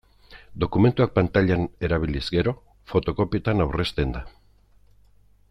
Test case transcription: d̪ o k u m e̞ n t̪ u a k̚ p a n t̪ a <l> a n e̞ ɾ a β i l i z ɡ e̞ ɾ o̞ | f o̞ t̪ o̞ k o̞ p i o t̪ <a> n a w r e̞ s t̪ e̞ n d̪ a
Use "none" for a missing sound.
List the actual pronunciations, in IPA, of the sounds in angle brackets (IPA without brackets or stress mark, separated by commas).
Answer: ʎ, a